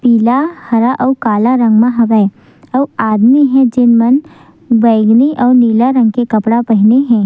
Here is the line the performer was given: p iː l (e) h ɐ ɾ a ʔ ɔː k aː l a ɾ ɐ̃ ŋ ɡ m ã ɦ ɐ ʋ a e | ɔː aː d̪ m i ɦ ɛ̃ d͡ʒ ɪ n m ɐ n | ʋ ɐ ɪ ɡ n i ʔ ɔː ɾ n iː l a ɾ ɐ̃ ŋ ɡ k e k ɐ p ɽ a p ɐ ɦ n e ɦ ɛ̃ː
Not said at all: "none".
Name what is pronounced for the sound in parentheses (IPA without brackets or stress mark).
a